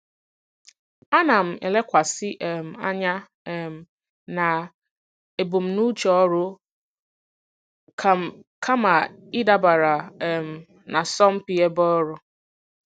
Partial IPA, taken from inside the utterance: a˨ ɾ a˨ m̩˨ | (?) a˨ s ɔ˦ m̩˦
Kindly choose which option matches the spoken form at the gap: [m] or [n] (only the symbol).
n